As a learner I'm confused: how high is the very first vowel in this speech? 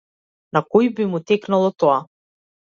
low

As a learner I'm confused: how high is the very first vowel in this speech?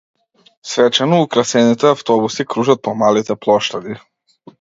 mid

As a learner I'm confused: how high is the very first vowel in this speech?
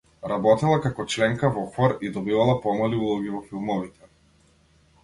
low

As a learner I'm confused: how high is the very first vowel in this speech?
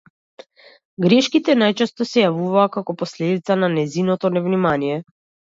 mid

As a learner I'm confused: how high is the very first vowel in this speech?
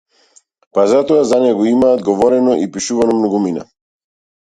low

